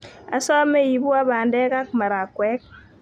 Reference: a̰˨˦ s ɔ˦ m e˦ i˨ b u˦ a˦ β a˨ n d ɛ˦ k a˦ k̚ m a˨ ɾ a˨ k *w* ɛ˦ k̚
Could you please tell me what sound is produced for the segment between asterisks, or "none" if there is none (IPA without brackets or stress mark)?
w